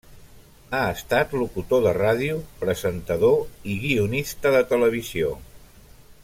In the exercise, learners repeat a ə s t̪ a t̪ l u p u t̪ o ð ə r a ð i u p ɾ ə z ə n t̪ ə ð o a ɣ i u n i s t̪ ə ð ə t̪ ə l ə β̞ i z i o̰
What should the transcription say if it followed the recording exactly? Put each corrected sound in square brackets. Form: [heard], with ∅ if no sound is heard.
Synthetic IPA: a ə s t̪ a t̪ l u [k] u t̪ o ð ə r a ð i u p ɾ ə z ə n t̪ ə ð o [i] ɣ i u n i s t̪ ə ð ə t̪ ə l ə β̞ i z i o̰